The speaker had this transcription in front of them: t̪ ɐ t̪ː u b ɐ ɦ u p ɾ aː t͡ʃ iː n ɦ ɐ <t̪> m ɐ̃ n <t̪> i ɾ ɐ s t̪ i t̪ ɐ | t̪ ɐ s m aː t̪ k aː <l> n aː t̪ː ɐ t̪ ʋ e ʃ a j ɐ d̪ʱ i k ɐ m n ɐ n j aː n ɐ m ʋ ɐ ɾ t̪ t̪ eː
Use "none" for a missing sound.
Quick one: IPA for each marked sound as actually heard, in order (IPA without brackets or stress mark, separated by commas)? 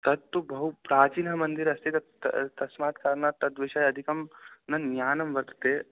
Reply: none, d̪, ɾ